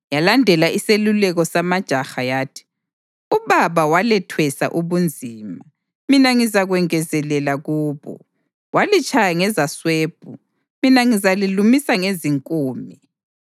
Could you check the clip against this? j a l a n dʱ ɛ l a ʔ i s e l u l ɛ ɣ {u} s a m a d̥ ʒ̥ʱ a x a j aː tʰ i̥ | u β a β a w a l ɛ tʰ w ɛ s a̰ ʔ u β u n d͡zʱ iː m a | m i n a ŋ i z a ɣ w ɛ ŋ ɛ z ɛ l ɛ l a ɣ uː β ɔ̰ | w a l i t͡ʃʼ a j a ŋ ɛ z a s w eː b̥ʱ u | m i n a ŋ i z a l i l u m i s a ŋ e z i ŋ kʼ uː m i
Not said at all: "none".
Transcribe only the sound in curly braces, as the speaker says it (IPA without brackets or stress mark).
ɔ